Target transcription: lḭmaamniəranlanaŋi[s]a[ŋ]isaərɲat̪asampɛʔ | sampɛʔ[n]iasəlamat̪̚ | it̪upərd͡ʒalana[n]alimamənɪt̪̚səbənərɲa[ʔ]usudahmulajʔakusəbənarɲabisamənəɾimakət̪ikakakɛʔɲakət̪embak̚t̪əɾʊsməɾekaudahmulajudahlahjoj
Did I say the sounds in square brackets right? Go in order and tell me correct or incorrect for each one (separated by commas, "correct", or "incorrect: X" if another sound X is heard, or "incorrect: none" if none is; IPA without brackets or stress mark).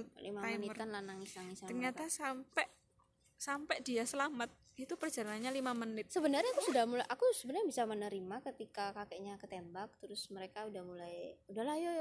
correct, correct, incorrect: d, incorrect: ɲ, incorrect: k